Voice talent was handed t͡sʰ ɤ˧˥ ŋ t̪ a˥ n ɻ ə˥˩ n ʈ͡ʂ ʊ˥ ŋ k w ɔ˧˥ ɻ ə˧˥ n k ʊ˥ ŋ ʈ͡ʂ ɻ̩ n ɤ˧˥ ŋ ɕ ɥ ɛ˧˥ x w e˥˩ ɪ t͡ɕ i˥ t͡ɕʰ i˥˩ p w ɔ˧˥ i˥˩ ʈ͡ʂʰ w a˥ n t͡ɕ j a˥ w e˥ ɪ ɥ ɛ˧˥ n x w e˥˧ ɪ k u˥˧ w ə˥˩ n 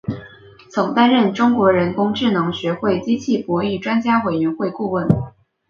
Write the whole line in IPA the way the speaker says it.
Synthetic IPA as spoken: t͡sʰ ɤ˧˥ ŋ t̪ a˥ n ɻ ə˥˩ n ʈ͡ʂ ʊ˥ ŋ k w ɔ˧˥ ɻ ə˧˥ n k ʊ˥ ŋ ʈ͡ʂ ɻ̩ n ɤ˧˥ ŋ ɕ ɥ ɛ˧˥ x w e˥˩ ɪ t͡ɕ i˥ t͡ɕʰ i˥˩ p w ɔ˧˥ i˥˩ ʈ͡ʂ w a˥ n t͡ɕ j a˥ w e˨˩ ɪ ɥ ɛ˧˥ n x w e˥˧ ɪ k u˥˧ w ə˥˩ n